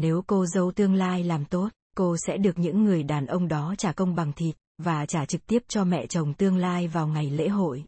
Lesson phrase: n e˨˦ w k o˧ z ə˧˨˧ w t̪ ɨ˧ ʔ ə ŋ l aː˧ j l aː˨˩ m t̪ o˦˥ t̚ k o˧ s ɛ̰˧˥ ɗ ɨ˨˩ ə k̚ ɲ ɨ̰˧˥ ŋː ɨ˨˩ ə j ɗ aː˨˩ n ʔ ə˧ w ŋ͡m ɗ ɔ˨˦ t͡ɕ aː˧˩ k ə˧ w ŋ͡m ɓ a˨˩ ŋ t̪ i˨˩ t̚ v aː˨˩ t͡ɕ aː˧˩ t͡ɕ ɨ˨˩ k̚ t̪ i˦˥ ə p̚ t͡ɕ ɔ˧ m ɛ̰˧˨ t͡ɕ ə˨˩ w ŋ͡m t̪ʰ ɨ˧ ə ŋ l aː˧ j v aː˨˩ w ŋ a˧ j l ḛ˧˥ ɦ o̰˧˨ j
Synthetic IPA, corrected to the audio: n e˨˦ w k o˧ z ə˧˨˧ w t̪ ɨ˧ ə ŋ l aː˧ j l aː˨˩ m t̪ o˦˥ t̚ k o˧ s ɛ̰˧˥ ɗ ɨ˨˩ ə k̚ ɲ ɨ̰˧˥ ŋː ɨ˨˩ ə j ɗ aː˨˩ n ʔ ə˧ w ŋ͡m ɗ ɔ˨˦ t͡ɕ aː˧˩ k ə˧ w ŋ͡m ɓ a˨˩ ŋ t̪ʰ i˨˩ t̚ v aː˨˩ t͡ɕ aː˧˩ t͡ɕ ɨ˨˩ k̚ t̪ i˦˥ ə p̚ t͡ɕ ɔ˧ m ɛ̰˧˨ t͡ɕ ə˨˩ w ŋ͡m t̪ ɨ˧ ə ŋ l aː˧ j v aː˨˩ w ŋ a˨˩ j l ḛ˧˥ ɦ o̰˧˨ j